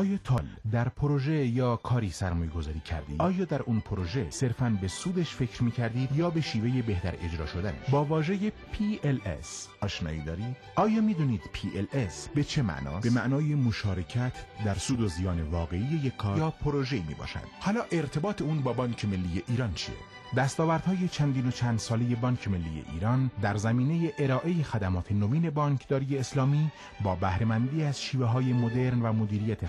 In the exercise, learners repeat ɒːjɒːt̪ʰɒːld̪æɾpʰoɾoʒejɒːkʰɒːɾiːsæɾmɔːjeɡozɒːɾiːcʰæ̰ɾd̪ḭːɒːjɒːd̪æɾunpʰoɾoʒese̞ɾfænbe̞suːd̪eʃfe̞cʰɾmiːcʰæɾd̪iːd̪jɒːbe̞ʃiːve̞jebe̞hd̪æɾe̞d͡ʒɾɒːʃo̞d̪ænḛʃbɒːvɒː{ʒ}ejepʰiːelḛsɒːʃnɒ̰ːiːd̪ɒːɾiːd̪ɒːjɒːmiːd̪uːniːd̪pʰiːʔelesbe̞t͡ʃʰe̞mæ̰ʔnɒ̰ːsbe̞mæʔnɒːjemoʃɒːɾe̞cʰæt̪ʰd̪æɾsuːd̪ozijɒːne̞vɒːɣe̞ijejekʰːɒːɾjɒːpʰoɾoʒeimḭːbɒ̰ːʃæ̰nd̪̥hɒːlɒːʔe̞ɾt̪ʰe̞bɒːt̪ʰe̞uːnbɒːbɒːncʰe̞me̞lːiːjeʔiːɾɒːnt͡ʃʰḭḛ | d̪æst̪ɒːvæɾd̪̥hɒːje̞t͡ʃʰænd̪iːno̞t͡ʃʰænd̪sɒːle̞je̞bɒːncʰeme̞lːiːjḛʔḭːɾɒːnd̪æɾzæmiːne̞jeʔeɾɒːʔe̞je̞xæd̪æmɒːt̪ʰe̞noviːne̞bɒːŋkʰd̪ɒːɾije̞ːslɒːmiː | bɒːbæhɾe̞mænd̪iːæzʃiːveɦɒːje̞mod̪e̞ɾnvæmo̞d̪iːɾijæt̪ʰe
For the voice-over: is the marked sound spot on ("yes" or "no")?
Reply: yes